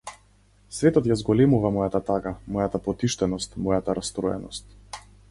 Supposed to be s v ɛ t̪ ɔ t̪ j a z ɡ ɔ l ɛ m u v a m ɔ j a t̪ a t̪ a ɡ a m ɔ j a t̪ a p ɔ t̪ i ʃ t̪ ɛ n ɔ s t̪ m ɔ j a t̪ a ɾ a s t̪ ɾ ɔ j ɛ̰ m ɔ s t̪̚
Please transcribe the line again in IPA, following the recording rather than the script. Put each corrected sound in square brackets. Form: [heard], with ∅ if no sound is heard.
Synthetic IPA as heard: s v ɛ t̪ ɔ t̪ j a z ɡ ɔ l ɛ m u v a m ɔ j a t̪ a t̪ a ɡ a m ɔ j a t̪ a p ɔ t̪ i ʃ t̪ ɛ n ɔ s t̪ m ɔ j a t̪ a ɾ a s t̪ ɾ ɔ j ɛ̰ [n] ɔ s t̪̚